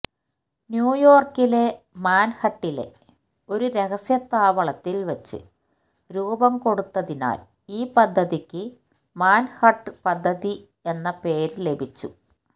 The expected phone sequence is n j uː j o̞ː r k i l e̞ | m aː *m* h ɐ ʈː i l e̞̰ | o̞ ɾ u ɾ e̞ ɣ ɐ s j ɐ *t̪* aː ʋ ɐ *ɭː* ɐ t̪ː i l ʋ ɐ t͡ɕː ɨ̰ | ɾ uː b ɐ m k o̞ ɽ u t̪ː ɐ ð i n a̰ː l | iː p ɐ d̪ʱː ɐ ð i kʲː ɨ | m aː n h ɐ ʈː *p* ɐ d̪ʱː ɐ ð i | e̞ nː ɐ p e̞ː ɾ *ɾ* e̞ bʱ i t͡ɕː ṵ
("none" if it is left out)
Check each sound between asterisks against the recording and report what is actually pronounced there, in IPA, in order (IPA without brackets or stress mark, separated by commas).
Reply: n, t̪, ɭ, p, l